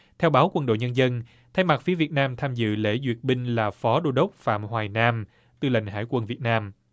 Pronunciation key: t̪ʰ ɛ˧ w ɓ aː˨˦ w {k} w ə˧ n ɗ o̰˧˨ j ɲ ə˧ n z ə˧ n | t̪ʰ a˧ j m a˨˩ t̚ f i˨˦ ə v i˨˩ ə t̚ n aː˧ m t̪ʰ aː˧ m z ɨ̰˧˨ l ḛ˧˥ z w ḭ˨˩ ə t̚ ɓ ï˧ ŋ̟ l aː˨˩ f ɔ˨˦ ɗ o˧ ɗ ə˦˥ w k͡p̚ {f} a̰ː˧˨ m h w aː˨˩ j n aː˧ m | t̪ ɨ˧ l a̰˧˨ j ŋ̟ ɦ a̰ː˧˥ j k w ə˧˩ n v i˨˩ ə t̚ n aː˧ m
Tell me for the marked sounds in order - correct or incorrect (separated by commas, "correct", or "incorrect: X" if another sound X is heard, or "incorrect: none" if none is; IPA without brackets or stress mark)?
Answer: correct, correct